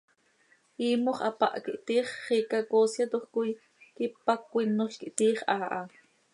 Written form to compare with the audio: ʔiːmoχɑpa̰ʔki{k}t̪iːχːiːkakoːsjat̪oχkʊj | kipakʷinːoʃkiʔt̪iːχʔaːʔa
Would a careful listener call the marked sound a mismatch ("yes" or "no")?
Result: yes